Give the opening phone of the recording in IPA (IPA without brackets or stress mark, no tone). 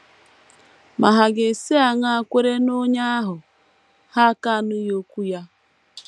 m